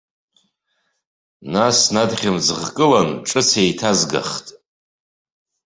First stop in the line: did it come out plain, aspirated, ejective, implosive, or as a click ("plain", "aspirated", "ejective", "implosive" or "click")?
plain